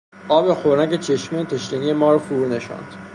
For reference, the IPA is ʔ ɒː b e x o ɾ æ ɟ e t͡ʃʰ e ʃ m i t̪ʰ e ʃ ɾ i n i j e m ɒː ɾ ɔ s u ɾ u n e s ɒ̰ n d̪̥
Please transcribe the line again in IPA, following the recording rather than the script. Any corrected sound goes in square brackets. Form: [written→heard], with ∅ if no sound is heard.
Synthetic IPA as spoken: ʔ ɒː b e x o ɾ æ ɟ e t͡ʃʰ e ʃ m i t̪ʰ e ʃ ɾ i n i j e m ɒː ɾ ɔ [s→f] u ɾ u n e [s→ʃ] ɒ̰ n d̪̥